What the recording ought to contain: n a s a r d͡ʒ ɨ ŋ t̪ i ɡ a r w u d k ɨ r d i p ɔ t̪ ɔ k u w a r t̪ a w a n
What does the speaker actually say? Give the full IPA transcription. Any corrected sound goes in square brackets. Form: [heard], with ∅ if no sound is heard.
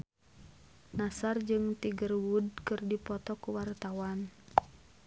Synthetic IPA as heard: n a s a r d͡ʒ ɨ ŋ t̪ i ɡ [ə] r w u d k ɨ r d i p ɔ t̪ ɔ k u w a r t̪ a w a n

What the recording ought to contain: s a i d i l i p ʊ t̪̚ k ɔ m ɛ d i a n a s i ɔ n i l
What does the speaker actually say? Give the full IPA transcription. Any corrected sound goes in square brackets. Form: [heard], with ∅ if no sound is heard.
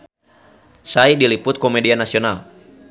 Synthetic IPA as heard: s a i d i l i p ʊ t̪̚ k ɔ m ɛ d i a n a s i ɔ n [a] l

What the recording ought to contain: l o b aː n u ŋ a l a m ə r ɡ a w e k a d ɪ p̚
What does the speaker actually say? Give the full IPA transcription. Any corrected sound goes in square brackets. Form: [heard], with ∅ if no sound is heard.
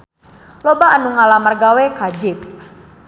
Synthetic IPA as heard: l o b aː n u ŋ a l a m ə r ɡ a w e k a [d͡ʒ] ɪ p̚

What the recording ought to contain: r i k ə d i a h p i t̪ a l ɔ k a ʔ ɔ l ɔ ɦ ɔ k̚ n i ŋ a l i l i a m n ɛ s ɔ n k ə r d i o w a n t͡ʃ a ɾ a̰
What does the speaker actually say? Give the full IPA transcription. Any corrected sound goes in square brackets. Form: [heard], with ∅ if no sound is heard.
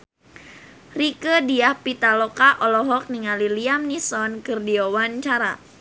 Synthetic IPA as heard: r i k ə d i a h p i t̪ a l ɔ k a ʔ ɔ l ɔ ɦ ɔ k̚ n i ŋ a l i l i a m n [i] s ɔ n k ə r d i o w a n t͡ʃ a ɾ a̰

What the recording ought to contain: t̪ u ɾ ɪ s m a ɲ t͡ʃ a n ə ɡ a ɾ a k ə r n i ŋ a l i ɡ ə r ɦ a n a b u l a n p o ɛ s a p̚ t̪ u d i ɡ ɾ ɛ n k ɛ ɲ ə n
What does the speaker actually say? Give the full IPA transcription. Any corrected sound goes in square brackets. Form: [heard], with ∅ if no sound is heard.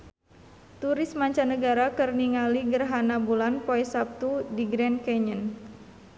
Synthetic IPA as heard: t̪ u ɾ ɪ s m a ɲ t͡ʃ a n ə ɡ a ɾ a k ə r n i ŋ a l i ɡ ə r ɦ a n a b u l a n p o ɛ s a p̚ t̪ u d i ɡ ɾ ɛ n k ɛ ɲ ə n

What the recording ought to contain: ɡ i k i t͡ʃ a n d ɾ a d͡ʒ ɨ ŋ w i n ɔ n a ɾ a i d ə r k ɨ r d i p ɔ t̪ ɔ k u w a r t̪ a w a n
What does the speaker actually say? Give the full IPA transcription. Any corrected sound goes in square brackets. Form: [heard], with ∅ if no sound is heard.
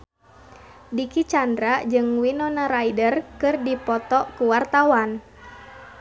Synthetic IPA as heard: [d] i k i t͡ʃ a n d ɾ a d͡ʒ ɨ ŋ w i n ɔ n a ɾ a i d ə r k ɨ r d i p ɔ t̪ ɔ k u w a r t̪ a w a n

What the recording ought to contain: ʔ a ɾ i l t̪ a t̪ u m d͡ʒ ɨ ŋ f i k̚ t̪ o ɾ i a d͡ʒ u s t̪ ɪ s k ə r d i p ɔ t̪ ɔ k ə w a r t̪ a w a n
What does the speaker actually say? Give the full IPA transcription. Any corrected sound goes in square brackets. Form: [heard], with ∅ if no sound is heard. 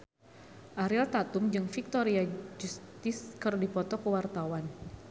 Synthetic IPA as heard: ʔ a ɾ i l t̪ a t̪ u m d͡ʒ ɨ ŋ f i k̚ t̪ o ɾ i a d͡ʒ u s t̪ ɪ s k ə r d i p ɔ t̪ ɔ k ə w a r t̪ a w a n

